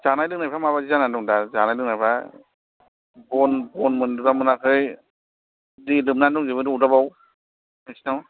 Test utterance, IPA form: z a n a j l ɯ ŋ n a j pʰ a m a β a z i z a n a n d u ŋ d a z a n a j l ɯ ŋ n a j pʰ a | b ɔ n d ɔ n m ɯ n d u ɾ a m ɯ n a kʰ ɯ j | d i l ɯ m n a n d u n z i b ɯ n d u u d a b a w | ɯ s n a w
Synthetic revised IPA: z a n a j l ɯ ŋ n a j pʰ a m a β a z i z a n a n d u ŋ d a z a n a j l ɯ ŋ n a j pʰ a | b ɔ n b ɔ n m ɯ n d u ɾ a m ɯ n a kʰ ɯ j | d i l ɯ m n a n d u ŋ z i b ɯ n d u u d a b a w | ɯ s n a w